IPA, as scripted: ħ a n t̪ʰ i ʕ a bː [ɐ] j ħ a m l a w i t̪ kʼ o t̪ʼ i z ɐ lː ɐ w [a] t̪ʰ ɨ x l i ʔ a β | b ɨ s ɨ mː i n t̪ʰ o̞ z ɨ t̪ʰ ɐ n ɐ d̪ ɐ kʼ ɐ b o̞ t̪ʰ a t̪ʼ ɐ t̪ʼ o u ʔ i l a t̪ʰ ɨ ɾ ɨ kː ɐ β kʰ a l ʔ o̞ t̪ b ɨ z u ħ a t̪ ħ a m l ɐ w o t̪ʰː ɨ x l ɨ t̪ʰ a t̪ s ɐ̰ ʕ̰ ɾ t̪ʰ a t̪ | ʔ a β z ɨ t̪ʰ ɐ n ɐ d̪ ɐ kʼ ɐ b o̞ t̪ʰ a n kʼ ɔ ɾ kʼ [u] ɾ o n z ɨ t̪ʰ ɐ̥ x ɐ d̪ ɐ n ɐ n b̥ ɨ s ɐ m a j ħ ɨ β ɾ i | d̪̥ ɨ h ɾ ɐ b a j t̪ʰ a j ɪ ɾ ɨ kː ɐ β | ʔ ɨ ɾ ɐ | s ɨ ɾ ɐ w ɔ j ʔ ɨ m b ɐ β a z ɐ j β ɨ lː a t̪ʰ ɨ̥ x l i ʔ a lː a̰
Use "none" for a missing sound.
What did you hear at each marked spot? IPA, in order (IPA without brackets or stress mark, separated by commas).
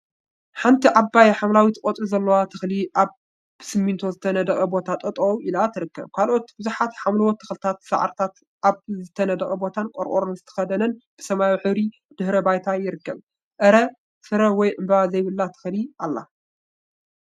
a, a, o